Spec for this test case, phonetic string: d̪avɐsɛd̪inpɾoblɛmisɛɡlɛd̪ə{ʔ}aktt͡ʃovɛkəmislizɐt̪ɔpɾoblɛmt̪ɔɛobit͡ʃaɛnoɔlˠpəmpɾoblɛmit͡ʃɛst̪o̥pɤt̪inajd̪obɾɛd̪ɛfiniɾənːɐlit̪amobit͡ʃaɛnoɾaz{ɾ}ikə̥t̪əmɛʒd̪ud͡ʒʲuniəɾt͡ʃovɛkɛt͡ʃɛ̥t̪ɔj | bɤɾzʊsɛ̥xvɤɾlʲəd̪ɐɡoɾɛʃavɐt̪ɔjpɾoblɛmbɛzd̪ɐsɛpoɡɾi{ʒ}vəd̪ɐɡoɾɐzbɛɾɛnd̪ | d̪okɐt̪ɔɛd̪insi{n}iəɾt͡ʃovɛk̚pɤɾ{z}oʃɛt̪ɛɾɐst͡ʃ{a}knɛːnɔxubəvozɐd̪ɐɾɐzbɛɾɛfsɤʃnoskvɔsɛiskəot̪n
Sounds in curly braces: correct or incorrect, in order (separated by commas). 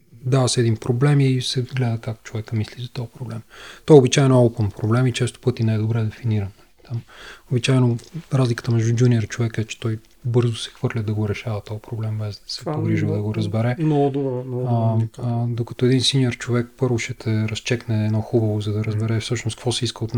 incorrect, incorrect, correct, correct, incorrect, incorrect